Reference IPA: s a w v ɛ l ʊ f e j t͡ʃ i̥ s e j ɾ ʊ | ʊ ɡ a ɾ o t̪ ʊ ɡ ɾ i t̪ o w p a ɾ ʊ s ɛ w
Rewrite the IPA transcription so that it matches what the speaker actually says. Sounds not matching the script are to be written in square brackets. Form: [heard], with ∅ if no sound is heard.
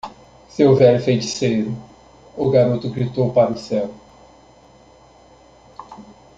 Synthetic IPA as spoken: s [e] w v ɛ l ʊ f e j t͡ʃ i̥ s e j ɾ ʊ | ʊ ɡ a ɾ o t̪ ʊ ɡ ɾ i t̪ o w p a ɾ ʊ s ɛ w